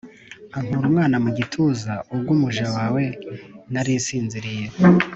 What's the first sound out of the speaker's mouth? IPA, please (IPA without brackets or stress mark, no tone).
a